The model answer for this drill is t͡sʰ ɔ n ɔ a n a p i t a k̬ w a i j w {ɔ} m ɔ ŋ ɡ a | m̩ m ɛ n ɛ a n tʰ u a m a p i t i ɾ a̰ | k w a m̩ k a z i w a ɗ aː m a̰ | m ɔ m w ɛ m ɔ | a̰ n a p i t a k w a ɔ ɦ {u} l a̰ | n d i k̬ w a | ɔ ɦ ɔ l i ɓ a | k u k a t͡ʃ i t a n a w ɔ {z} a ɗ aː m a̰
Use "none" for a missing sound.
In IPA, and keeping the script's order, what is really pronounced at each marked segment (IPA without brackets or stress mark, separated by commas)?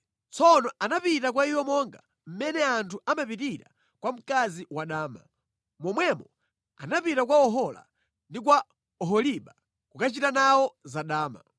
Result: ɔ, ɔ, z